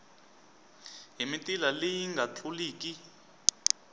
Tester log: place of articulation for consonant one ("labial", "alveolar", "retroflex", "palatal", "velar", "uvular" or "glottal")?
glottal